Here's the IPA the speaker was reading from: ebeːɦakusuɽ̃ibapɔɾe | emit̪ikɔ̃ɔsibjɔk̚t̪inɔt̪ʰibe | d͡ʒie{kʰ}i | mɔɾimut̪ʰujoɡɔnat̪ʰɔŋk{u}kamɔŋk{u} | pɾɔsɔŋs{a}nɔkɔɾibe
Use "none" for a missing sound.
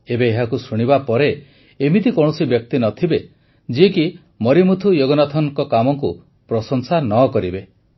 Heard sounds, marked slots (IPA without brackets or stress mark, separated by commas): k, ɔ, u, a